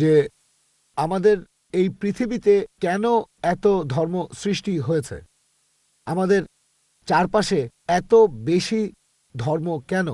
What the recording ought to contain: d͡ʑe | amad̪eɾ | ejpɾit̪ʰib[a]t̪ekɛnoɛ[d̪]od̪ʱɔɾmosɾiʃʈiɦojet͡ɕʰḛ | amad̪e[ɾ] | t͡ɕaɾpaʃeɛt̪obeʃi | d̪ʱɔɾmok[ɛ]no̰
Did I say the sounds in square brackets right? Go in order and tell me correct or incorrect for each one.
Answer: incorrect, incorrect, correct, correct

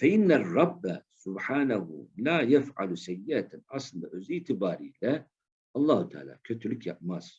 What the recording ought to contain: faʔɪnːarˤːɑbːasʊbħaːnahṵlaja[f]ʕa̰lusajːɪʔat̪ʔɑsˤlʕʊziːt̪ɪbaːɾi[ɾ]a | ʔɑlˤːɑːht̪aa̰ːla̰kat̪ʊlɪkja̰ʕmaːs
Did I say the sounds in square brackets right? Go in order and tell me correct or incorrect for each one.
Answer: correct, incorrect

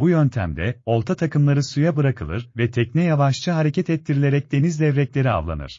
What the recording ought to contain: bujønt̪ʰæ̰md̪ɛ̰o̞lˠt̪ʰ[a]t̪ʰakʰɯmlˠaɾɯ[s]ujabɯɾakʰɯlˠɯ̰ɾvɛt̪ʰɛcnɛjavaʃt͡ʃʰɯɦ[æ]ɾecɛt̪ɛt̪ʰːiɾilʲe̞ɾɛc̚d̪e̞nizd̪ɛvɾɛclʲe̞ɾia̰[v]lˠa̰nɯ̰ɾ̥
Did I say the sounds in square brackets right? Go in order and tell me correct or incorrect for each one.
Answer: correct, correct, incorrect, correct

